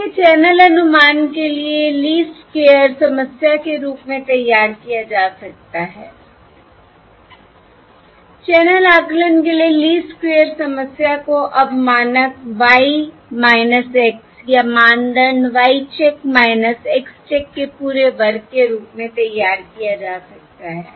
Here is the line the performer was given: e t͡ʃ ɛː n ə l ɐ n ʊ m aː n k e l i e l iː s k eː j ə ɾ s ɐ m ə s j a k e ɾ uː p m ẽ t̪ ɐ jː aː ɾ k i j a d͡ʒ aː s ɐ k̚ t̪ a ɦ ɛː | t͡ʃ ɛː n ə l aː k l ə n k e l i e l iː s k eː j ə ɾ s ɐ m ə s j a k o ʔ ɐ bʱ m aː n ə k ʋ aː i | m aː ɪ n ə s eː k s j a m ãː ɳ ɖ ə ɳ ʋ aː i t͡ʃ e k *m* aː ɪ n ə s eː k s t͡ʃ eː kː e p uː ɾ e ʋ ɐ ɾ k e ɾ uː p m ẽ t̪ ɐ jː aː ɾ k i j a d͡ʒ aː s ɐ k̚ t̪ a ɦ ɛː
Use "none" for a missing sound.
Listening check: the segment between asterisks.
m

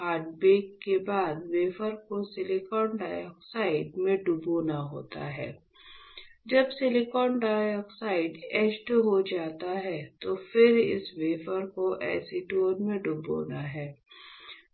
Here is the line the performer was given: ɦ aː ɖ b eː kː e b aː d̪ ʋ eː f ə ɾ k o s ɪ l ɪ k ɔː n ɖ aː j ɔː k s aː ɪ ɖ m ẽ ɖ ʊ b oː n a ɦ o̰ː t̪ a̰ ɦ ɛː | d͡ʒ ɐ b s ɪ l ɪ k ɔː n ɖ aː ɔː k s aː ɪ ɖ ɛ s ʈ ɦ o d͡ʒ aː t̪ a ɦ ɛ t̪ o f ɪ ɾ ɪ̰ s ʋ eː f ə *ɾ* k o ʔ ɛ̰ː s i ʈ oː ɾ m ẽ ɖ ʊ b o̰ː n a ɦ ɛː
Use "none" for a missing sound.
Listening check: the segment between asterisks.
ɾ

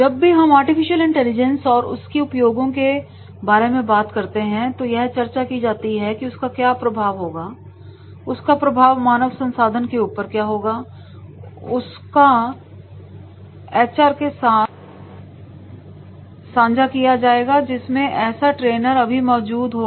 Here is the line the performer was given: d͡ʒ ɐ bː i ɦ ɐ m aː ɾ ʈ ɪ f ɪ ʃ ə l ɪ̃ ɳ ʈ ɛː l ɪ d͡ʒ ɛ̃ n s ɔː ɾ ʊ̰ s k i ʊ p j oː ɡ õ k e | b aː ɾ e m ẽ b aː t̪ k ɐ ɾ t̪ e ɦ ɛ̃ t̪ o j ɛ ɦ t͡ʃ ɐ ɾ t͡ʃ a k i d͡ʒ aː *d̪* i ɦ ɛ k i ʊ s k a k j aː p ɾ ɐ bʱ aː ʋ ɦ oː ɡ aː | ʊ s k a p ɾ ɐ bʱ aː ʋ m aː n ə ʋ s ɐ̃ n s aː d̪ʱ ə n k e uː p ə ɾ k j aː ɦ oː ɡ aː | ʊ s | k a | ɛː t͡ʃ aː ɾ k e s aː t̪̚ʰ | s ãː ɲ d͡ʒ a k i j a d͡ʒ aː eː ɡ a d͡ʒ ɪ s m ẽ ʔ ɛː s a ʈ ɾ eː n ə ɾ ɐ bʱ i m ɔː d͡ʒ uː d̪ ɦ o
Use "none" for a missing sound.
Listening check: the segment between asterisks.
t̪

